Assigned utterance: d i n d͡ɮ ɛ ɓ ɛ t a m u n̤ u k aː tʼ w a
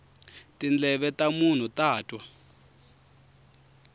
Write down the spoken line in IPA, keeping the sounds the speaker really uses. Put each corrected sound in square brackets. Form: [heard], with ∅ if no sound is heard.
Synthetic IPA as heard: [t] i n d͡ɮ ɛ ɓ ɛ t a m u n̤ u [t] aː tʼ w a